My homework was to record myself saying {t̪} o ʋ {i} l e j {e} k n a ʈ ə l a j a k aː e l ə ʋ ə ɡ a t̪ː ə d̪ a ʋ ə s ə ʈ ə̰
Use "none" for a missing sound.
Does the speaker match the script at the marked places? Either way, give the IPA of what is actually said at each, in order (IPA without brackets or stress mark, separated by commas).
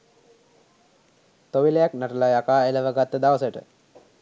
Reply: t̪, i, a